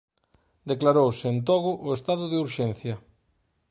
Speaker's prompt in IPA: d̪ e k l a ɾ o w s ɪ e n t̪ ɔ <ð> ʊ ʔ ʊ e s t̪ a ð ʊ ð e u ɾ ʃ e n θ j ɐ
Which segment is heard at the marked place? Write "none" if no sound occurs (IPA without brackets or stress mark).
ɣ